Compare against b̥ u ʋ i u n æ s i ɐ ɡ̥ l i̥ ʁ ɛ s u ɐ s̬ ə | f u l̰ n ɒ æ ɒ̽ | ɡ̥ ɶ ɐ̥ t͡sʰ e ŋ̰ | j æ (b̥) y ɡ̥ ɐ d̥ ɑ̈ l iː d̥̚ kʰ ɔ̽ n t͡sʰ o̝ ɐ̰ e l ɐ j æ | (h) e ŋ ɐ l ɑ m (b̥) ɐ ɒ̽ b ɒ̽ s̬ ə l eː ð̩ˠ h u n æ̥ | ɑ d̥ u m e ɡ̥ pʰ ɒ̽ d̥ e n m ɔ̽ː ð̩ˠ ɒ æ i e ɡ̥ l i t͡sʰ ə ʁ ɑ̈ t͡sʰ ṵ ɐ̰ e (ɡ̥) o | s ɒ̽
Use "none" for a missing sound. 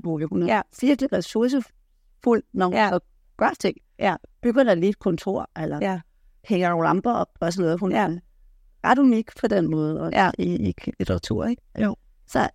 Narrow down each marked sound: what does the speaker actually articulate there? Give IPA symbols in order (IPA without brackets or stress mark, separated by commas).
b̥, h, b̥, ɡ̥